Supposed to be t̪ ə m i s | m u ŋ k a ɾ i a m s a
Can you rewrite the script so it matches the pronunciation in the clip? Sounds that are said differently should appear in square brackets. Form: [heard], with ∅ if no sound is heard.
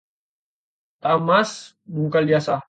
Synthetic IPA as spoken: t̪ [a] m [a] s | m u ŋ k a [l] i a [∅] s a